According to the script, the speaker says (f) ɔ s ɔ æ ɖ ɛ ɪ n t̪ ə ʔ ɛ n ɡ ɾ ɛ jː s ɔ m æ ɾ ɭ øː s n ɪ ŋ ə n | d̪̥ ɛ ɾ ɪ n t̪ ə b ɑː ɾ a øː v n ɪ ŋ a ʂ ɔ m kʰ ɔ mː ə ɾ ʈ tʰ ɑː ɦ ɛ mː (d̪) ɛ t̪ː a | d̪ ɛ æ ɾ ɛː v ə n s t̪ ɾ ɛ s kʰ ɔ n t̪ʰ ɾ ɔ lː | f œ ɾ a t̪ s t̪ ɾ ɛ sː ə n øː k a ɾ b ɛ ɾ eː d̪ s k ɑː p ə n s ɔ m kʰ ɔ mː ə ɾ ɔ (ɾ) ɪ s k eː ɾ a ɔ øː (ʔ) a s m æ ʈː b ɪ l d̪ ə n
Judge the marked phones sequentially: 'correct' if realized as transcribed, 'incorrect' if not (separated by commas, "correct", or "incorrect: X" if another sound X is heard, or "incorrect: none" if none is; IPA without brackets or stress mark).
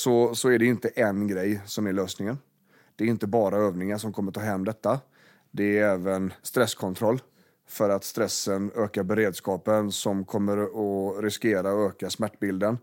incorrect: s, correct, correct, incorrect: k